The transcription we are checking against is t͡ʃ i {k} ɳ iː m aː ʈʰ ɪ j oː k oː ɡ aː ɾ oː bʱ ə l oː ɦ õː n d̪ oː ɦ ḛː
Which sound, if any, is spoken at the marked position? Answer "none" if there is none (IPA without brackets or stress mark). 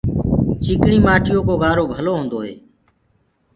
k